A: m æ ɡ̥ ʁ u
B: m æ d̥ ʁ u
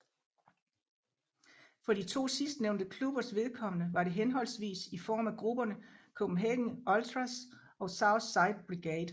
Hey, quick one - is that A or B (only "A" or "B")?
A